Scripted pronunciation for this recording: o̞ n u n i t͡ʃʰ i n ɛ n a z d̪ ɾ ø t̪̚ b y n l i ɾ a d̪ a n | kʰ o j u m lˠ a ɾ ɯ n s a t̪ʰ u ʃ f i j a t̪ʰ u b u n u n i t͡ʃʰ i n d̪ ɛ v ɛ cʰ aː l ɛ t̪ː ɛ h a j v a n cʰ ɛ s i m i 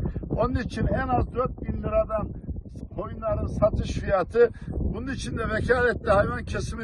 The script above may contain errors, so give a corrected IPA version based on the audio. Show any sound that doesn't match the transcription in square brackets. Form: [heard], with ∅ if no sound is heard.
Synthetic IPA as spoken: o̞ n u n i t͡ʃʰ i n ɛ n a z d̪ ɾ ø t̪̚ b [i] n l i ɾ a d̪ a n | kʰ o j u [n] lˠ a ɾ ɯ n s a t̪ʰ [ɯ] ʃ f i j a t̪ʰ [ɯ] b u n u n i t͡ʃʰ i n d̪ ɛ v ɛ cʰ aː l ɛ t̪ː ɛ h a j v a n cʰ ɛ s i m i